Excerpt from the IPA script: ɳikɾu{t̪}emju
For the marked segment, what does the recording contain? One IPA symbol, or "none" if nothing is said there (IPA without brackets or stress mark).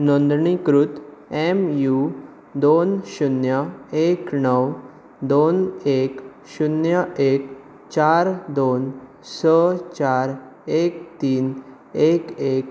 t̪